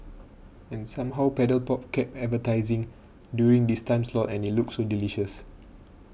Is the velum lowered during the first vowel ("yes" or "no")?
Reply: yes